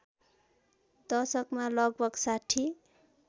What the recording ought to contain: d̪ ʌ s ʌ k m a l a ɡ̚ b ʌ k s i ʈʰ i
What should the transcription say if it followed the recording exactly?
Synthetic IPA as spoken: d̪ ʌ s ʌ k m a l ʌ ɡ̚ b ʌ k s a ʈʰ i

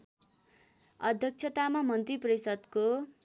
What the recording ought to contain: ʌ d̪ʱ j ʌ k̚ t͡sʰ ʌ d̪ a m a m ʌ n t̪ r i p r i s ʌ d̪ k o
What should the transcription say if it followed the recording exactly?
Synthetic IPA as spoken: ʌ d̪ʱ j ʌ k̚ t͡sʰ ʌ t̪ a m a m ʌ n t̪ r i p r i s ʌ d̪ k o

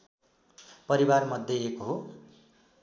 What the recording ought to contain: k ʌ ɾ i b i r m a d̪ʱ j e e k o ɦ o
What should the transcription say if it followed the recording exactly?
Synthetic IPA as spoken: p ʌ ɾ i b a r m ʌ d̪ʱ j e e k o ɦ o

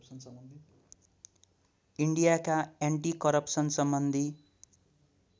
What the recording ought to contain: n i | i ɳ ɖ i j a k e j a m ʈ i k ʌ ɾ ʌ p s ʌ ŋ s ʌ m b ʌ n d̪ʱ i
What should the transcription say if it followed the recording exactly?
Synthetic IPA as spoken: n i | i ɳ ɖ i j a k a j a ɳ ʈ i k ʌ ɾ ʌ p s ʌ n s ʌ m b ʌ n d̪ʱ i

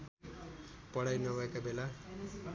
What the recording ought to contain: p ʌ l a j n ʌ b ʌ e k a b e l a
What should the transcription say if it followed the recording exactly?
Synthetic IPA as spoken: p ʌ ɽ a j n ʌ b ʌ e k a b e l a

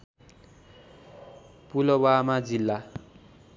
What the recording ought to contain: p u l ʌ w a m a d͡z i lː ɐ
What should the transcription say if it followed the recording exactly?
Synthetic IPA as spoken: p u l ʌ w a m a d͡z i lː a

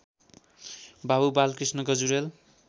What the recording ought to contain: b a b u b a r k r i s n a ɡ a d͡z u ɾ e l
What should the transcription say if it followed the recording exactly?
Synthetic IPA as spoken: b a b u b a l k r i s n ʌ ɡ ʌ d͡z u ɾ e l

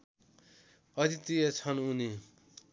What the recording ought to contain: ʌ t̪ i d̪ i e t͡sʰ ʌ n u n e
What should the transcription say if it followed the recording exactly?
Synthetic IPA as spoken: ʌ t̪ i t̪ i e t͡sʰ ʌ n u n i

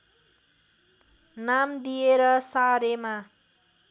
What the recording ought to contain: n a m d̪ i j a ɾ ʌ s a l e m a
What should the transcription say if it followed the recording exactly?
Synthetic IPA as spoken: n a m d̪ i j e ɾ ʌ s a ɾ e m a

